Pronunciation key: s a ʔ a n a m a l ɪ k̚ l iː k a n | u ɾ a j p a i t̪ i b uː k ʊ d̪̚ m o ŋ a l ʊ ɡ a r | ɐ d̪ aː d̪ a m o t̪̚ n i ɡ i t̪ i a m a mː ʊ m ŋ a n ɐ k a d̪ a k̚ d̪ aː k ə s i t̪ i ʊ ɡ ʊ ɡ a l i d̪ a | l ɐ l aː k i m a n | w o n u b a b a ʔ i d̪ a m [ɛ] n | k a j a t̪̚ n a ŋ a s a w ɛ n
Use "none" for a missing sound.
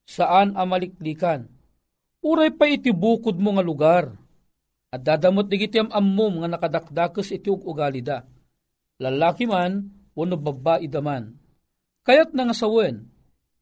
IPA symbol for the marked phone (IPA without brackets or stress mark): a